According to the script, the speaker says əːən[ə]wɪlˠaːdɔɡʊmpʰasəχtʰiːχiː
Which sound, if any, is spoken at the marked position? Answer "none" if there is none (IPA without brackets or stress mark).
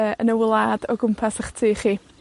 ə